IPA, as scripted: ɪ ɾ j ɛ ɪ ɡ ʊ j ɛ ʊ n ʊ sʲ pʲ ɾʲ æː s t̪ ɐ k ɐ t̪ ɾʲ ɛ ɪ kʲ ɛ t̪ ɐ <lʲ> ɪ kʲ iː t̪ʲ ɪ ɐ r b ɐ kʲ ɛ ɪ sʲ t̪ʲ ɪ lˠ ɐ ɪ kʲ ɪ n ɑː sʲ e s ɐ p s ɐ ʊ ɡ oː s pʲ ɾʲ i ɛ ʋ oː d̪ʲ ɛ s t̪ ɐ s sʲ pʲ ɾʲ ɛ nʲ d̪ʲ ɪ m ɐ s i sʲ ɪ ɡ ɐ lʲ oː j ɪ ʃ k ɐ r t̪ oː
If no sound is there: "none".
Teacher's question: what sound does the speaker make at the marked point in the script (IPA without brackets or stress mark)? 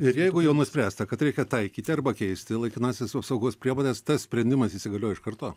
none